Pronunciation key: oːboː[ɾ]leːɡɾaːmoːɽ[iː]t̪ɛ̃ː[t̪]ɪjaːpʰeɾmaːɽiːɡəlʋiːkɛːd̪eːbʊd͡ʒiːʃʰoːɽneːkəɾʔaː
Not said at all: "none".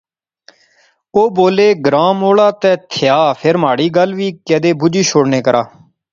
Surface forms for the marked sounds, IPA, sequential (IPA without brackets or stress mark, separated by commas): none, aː, t̪ʰ